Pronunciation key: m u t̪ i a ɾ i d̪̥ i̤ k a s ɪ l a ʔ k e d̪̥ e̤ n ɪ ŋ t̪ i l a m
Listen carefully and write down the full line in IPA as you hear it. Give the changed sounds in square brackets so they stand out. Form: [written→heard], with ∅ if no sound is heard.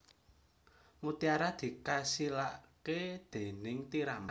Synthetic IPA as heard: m u t̪ i a ɾ [i→a] d̪̥ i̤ k a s [ɪ→i] l a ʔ k e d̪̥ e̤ n ɪ ŋ t̪ i [l→ɾ] a m